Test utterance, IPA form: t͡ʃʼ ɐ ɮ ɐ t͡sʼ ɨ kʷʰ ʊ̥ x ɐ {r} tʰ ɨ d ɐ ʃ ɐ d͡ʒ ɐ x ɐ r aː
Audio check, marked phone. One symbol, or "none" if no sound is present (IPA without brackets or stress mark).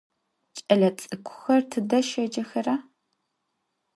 r